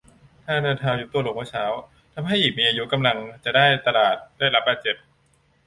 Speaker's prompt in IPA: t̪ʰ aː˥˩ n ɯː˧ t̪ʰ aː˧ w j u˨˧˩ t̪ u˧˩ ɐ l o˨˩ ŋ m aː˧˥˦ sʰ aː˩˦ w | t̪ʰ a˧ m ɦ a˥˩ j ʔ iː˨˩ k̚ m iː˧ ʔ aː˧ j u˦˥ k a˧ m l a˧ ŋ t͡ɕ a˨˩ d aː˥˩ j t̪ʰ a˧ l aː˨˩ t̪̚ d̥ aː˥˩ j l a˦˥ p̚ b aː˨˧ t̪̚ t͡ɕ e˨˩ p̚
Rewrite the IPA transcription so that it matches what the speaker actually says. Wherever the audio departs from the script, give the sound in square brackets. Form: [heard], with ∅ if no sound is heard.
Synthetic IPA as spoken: t̪ʰ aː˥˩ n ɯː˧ t̪ʰ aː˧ w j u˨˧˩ t̪ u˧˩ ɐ l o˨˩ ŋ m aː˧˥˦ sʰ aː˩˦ w | t̪ʰ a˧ m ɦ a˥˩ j ʔ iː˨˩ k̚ m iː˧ ʔ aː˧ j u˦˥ k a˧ m l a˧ ŋ t͡ɕ a˨˩ d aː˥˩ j [t̪] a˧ l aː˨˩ t̪̚ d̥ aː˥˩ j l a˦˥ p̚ b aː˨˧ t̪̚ t͡ɕ e˨˩ p̚